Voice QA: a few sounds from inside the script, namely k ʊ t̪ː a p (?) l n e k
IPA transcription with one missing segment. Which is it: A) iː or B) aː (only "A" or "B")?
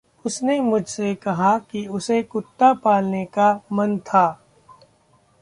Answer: B